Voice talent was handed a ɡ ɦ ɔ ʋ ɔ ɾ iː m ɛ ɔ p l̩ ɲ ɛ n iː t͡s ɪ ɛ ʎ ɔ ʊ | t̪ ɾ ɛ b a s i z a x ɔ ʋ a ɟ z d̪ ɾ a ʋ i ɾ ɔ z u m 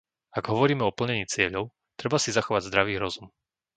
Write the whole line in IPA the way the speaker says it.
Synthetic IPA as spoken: a ɡ ɦ ɔ ʋ ɔ ɾ iː m ɛ ɔ p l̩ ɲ ɛ ɲ iː t͡s ɪ ɛ ʎ ɔ ʊ | t̪ ɾ ɛ b a s i z a x ɔ ʋ a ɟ z d̪ ɾ a ʋ iː ɾ ɔ z u m